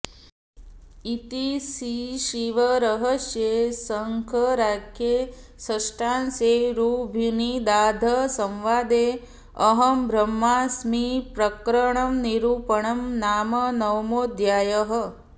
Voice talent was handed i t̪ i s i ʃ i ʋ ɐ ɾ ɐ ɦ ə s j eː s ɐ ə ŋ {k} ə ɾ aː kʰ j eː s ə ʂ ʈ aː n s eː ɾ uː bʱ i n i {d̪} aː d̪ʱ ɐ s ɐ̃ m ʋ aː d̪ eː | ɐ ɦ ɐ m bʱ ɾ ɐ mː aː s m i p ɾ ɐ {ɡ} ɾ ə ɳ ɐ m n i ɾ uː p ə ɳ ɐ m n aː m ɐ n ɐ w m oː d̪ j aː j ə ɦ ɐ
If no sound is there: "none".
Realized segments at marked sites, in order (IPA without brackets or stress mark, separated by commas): kʰ, d̪, k